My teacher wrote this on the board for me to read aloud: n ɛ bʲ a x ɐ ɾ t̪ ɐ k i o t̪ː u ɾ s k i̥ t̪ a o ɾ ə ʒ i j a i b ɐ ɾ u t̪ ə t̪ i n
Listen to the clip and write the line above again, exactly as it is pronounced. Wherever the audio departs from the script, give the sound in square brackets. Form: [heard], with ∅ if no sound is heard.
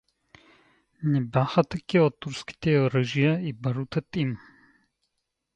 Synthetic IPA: n ɛ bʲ a x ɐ [∅] t̪ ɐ k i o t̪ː u ɾ s k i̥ t̪ [ɛ] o ɾ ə ʒ i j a i b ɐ ɾ u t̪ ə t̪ i [m]